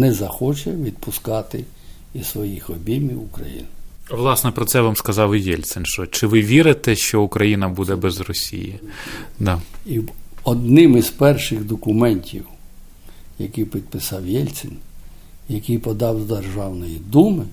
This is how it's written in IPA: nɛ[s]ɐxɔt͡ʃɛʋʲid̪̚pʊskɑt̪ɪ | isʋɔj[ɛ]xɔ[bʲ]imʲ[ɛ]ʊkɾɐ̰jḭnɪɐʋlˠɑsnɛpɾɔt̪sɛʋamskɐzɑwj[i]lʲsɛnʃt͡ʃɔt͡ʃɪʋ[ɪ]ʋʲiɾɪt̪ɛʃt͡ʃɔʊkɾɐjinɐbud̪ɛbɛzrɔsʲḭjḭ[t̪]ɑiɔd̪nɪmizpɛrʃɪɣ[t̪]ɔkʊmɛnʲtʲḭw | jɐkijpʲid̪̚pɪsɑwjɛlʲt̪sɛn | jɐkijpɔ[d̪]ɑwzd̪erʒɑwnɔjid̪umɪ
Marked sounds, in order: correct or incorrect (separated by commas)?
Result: incorrect, incorrect, correct, incorrect, incorrect, correct, incorrect, incorrect, correct